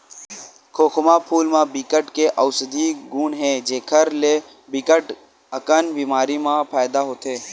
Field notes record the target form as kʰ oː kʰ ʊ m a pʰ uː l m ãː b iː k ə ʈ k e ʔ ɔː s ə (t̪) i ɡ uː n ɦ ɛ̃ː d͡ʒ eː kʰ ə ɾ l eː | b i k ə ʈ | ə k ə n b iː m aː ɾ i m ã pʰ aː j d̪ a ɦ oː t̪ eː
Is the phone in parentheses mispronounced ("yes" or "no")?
yes